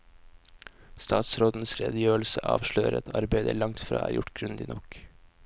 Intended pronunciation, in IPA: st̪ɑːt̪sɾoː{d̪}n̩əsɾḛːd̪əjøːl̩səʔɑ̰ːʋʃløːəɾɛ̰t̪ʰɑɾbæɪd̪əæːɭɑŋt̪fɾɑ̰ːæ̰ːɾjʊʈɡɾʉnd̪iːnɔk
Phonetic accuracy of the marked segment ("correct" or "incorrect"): correct